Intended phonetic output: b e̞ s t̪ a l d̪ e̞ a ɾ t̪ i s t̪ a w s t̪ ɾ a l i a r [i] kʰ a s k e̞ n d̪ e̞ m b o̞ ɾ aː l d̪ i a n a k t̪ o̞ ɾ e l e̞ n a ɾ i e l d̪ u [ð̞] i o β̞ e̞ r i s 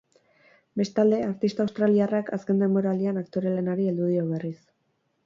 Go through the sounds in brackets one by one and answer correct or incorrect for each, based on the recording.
incorrect: a, correct

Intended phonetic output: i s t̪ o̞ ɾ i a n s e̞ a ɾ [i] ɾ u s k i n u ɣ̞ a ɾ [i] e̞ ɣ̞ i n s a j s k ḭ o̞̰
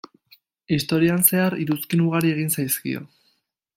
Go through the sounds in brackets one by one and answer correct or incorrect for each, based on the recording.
correct, correct

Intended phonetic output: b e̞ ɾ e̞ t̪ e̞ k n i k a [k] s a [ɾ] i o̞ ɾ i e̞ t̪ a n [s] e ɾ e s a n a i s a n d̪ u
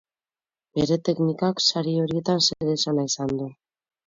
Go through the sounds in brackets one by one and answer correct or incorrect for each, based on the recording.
correct, correct, correct

